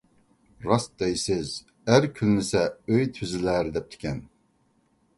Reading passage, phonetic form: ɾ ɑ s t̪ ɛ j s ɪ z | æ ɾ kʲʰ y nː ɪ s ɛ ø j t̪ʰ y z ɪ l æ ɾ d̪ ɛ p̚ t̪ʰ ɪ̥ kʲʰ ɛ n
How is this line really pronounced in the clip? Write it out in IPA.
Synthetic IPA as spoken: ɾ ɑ s d̪ ɛ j s ɪ z | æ ɾ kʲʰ y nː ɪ s ɛ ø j t̪ʰ y z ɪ l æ ɾ d̪ ɛ p̚ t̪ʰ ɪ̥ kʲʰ ɛ n